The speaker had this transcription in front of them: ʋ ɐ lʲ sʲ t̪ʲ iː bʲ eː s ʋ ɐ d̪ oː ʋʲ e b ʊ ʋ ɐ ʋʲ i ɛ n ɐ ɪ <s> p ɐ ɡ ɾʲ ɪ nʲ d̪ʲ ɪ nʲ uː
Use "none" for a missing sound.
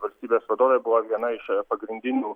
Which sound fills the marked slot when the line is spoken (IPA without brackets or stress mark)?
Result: ʃ